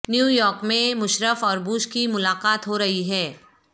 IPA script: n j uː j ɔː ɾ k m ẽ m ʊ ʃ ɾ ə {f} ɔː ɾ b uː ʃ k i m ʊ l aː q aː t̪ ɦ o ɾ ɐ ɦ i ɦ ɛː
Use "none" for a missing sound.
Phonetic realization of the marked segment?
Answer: f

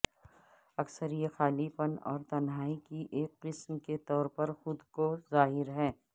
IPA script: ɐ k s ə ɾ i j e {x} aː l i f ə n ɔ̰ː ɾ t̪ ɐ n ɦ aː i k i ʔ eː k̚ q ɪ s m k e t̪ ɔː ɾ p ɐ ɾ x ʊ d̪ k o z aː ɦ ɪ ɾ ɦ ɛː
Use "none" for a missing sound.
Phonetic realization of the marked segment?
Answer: x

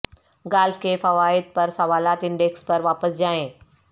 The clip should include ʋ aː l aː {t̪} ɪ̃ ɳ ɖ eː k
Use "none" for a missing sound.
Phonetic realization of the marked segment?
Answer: t̪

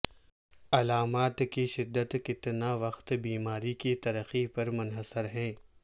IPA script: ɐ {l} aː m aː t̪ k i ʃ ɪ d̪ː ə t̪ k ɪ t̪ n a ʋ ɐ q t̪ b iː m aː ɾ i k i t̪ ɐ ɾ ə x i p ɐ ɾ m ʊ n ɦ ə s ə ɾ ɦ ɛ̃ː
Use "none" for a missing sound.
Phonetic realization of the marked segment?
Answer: l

